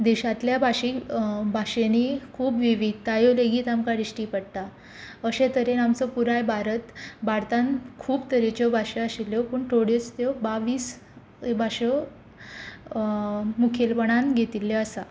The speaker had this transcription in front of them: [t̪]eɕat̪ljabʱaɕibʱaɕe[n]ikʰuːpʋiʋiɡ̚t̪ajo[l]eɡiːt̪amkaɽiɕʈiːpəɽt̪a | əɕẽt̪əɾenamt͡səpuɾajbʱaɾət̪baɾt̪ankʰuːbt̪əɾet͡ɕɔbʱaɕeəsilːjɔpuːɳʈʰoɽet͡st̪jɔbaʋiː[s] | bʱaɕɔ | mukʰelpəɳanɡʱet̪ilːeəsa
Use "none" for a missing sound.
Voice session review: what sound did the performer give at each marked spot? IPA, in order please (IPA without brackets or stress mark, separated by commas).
d̪, n, l, s